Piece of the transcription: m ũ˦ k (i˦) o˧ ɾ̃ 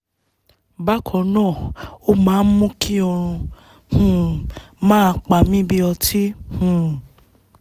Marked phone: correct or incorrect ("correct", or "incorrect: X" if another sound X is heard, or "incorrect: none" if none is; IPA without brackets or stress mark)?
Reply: correct